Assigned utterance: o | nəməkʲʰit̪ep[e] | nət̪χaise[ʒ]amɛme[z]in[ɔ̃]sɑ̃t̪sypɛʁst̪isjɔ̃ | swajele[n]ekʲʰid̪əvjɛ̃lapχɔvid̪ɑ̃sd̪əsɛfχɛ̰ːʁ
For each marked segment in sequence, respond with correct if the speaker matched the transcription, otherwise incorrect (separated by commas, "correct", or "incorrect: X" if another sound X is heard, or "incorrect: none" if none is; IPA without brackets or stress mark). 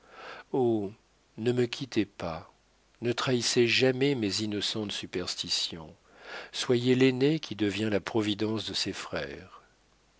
incorrect: a, correct, correct, incorrect: ɔ, correct